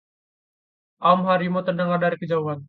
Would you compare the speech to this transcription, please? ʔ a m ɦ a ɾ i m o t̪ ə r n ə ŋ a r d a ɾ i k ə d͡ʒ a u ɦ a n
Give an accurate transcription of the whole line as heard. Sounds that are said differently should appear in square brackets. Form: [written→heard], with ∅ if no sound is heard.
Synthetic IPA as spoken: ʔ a m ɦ a ɾ i m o t̪ ə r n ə ŋ a r d a ɾ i k ə d͡ʒ a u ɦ a n